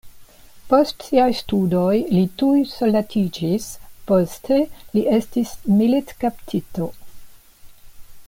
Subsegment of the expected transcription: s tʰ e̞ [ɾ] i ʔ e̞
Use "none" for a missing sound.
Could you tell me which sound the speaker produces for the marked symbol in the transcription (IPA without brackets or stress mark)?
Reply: l